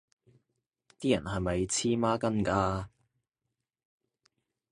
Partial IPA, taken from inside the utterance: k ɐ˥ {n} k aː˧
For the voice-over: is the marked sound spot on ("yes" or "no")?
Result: yes